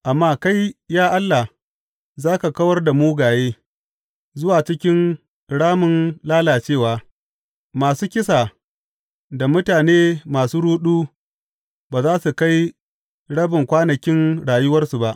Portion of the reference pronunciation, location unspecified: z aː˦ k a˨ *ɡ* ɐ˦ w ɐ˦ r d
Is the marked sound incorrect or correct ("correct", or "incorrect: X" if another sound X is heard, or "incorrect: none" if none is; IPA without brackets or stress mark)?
incorrect: k